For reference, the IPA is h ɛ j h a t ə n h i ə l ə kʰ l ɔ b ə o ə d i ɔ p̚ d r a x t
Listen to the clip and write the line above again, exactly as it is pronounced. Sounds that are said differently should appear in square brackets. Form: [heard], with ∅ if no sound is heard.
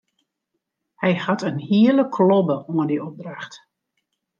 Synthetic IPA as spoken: h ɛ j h a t ə n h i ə l ə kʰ l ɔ b ə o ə d i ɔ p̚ d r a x t

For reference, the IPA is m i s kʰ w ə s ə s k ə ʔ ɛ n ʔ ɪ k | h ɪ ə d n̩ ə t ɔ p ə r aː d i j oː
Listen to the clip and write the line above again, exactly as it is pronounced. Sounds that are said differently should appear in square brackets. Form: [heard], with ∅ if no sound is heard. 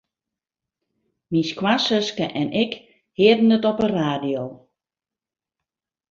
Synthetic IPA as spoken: m i s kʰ w [a] s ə s k ə ʔ ɛ n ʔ ɪ k | h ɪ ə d n̩ ə t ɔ p ə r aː d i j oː

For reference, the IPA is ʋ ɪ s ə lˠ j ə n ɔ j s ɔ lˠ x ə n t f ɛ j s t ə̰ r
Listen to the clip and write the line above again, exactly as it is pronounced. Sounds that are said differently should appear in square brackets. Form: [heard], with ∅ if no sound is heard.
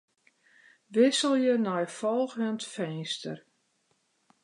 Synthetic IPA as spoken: ʋ ɪ s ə lˠ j ə n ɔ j [f] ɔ lˠ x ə n t f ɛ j s t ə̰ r

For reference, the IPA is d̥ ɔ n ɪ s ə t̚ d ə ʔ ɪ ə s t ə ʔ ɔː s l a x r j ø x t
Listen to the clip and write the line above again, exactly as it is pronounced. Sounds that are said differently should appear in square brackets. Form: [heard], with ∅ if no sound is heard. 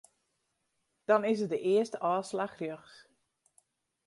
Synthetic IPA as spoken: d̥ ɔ n ɪ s ə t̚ d ə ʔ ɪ ə s t ə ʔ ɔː s l a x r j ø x [s]

